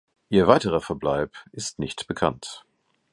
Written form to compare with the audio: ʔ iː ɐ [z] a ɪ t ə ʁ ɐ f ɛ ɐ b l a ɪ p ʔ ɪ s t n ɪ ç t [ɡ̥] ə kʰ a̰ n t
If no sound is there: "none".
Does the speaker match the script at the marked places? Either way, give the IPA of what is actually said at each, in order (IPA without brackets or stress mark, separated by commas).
v, b̥